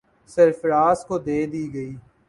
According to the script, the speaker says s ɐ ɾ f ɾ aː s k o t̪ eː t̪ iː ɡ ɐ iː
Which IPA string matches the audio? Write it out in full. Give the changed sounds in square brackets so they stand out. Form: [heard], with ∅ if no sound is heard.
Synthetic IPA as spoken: s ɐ ɾ f ɾ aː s k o [d̪] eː [d̪] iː ɡ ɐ iː